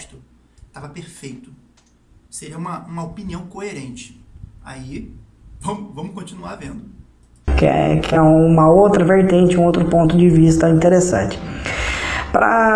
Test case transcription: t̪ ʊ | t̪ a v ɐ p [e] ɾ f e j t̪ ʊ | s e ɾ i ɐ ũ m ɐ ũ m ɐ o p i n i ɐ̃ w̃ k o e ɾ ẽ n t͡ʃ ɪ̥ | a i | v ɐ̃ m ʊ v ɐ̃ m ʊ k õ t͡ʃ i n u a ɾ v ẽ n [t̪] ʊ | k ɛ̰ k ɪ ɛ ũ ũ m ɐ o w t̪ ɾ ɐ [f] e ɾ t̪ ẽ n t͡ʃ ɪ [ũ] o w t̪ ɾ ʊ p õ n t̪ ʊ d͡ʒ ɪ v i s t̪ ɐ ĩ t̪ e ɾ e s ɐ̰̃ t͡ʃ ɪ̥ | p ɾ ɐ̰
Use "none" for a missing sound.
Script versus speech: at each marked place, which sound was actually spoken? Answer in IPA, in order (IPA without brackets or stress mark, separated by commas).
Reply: e, d̪, v, ũ